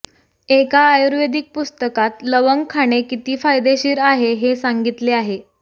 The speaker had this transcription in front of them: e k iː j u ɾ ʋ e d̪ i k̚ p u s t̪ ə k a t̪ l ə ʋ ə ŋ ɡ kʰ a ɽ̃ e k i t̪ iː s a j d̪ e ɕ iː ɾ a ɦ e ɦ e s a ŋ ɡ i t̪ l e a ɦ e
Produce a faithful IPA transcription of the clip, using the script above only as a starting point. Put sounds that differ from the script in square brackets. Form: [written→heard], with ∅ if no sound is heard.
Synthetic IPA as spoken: e k [iː→aː] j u ɾ ʋ e d̪ i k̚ p u s t̪ ə k a t̪ l ə ʋ ə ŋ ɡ kʰ a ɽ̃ e k i t̪ iː [s→f] a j d̪ e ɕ iː ɾ a ɦ e ɦ e s a ŋ ɡ i t̪ l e a ɦ e